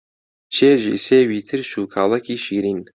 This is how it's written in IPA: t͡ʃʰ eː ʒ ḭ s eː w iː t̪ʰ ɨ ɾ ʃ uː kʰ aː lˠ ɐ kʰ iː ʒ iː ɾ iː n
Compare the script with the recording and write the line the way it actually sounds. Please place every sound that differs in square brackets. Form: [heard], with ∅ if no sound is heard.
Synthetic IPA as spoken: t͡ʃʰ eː ʒ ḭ s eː w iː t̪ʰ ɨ ɾ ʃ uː kʰ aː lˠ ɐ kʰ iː [ʃ] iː ɾ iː n